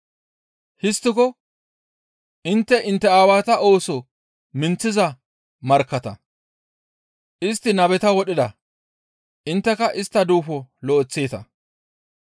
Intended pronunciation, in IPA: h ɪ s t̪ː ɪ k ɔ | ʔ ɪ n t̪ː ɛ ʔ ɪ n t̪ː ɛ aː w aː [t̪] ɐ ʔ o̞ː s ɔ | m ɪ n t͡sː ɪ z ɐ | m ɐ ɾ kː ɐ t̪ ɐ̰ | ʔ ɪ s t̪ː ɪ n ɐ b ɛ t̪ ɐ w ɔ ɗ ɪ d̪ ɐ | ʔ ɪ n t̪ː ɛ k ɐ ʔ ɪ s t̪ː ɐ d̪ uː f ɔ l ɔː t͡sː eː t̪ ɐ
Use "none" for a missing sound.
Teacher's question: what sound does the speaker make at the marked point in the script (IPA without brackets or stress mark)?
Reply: t̪